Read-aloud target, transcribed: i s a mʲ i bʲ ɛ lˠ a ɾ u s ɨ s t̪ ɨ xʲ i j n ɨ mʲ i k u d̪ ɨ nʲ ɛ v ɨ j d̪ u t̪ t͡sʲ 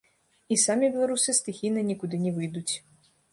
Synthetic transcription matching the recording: i s a mʲ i bʲ ɛ lˠ a ɾ u s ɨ s t̪ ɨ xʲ i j n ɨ nʲ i k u d̪ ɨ nʲ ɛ v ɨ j d̪ u t͡sʲ

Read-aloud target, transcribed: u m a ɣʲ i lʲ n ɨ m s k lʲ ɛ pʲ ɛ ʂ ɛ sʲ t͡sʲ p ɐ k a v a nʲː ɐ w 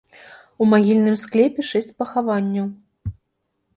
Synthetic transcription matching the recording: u m a ɣʲ i lʲ n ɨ m s k lʲ ɛ pʲ ɛ ʂ ɛ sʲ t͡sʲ p ɐ x a v a nʲː ɐ w

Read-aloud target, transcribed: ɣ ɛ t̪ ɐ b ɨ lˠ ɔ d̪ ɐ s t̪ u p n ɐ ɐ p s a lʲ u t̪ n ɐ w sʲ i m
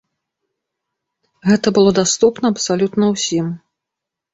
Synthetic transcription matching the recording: ɣ ɛ t̪ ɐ b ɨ lˠ ɔ d̪ a s t̪ u p n ɐ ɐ p s a lʲ u t̪ n ɐ w sʲ i m

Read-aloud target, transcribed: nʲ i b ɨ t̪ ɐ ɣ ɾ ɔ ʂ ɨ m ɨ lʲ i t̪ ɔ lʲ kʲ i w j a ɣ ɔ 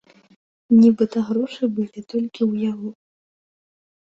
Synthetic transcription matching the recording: nʲ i b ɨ t̪ ɐ ɣ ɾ ɔ ʂ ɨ b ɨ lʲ i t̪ ɔ lʲ kʲ i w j a ɣ ɔ

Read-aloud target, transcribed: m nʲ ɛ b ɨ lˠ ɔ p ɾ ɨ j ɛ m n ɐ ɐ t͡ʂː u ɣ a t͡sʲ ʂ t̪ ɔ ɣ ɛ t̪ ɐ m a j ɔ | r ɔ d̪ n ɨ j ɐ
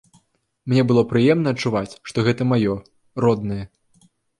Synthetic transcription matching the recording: m nʲ ɛ b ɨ lˠ ɔ p ɾ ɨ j ɛ m n ɐ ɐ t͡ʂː u v a t͡sʲ ʂ t̪ ɔ ɣ ɛ t̪ ɐ m a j ɔ | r ɔ d̪ n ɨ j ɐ

